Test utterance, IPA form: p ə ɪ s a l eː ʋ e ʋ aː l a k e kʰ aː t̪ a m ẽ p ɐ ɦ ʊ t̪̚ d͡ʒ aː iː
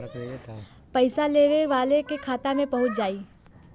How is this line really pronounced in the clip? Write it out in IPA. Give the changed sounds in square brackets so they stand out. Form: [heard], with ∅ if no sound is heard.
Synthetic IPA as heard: p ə ɪ s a l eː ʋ e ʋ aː l [e] k e kʰ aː t̪ a m ẽ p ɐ ɦ ʊ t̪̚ d͡ʒ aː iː